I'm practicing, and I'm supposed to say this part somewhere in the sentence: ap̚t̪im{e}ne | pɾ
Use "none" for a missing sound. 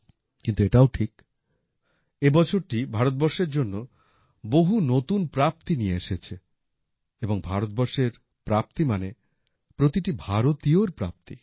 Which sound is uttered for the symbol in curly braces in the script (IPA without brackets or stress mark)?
a